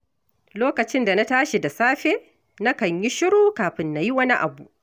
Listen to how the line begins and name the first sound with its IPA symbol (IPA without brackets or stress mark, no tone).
l